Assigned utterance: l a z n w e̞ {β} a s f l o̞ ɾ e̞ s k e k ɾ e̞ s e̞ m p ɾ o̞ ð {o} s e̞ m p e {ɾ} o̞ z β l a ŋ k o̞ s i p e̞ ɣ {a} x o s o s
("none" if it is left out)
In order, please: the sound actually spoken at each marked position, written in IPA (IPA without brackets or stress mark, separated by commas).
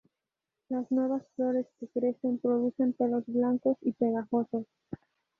β, u, l, a